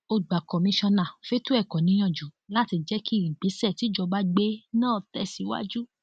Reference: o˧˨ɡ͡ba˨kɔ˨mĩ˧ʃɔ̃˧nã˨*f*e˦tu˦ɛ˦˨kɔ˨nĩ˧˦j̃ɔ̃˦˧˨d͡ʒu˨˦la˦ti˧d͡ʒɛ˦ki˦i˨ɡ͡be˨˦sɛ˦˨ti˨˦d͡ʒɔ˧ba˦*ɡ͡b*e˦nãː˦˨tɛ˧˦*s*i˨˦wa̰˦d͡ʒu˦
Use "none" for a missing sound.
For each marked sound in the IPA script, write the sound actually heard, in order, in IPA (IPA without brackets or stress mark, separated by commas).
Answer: f, ɡ͡b, s